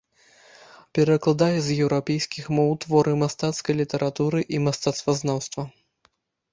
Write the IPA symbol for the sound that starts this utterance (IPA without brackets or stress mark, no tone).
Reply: pʲ